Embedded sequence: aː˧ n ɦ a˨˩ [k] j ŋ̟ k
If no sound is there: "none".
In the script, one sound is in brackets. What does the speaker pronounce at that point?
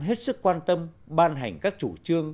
none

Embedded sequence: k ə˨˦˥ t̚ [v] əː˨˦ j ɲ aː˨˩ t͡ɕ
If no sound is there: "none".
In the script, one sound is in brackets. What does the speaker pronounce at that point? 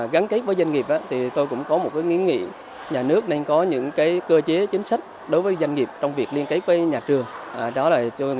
v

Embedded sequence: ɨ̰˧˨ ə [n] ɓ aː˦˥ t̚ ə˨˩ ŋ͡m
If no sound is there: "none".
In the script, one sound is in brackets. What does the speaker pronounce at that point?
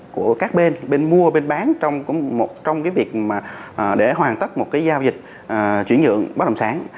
ŋ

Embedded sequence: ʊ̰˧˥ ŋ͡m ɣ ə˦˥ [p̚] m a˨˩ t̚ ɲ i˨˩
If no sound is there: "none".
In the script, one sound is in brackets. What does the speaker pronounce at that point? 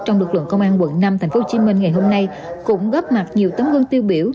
p̚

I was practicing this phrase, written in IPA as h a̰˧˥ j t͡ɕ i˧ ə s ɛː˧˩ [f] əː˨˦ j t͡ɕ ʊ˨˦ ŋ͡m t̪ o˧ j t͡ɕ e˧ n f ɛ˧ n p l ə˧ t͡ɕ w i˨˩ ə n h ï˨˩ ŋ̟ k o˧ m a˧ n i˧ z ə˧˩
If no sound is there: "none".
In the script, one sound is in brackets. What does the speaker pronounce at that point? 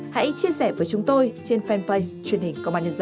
v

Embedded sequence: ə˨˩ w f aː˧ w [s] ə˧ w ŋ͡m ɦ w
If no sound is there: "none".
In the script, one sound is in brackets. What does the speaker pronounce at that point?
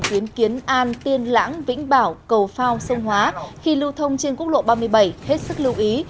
s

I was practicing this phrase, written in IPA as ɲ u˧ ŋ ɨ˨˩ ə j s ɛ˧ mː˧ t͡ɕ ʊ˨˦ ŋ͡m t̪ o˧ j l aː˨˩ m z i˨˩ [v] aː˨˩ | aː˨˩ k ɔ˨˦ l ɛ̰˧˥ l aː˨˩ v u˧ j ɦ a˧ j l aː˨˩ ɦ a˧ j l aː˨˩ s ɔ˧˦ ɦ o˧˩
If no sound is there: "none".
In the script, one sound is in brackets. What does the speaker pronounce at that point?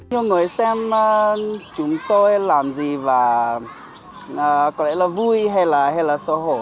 v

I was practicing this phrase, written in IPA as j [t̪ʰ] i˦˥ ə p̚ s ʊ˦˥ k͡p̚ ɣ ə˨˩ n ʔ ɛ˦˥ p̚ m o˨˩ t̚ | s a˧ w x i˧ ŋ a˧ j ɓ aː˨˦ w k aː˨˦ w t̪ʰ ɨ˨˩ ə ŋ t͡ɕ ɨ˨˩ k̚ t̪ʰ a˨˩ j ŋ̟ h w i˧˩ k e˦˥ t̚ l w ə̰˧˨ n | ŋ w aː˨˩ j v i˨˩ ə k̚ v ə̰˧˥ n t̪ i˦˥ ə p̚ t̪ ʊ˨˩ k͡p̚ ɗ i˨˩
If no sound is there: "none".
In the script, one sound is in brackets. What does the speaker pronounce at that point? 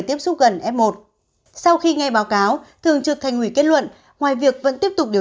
t̪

